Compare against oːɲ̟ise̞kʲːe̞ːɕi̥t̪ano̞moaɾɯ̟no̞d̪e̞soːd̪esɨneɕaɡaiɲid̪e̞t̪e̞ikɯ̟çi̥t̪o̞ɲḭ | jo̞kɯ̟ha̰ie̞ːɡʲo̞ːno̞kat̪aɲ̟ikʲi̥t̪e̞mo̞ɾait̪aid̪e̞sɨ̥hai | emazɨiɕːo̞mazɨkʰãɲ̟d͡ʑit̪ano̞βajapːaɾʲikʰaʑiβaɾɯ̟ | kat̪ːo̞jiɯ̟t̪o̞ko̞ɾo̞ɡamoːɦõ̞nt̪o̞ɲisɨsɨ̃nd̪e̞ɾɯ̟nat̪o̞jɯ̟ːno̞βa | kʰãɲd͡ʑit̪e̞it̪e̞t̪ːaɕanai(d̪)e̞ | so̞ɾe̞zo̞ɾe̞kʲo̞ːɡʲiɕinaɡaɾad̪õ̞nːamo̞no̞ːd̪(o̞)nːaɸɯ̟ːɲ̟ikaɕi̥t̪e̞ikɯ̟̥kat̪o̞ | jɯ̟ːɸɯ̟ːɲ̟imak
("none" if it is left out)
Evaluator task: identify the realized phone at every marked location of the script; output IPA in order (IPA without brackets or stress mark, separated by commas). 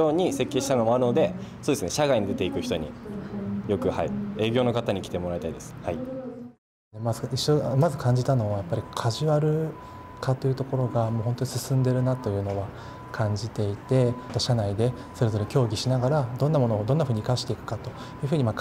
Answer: d̪, o̞